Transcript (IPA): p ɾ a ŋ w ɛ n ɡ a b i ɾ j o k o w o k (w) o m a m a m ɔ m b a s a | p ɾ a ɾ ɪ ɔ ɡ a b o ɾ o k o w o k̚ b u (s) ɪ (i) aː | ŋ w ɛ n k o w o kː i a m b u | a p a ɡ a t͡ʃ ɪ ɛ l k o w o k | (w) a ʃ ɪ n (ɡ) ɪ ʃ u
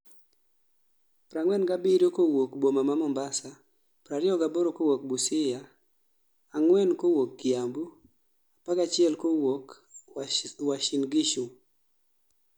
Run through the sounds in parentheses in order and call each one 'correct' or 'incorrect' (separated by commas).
incorrect, correct, incorrect, correct, correct